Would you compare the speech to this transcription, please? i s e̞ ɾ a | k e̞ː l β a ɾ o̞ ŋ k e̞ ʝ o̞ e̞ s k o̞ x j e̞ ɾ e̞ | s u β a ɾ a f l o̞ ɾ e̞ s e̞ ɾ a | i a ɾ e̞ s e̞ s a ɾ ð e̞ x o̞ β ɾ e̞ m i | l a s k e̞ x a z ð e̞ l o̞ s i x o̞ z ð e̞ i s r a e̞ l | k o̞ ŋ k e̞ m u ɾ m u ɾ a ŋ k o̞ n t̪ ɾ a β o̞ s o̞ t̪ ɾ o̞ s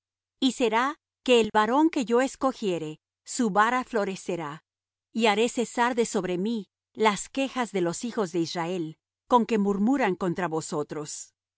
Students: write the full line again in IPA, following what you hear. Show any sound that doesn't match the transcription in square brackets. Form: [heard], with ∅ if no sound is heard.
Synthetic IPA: i s e̞ ɾ a | k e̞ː l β a ɾ o̞ ŋ k e̞ ʝ o̞ e̞ s k o̞ x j e̞ ɾ e̞ | s u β a ɾ a f l o̞ ɾ e̞ s e̞ ɾ a | i a ɾ e̞ s e̞ s a ɾ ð e̞ [s] o̞ β ɾ e̞ m i | l a s k e̞ x a z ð e̞ l o̞ s i x o̞ z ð e̞ i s r a e̞ l | k o̞ ŋ k e̞ m u ɾ m u ɾ a ŋ k o̞ n t̪ ɾ a β o̞ s o̞ t̪ ɾ o̞ s